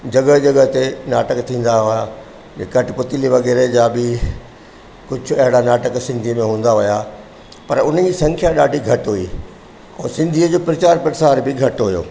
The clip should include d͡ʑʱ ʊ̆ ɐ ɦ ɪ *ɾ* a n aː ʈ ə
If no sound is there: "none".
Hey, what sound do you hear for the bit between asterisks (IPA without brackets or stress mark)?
ɽ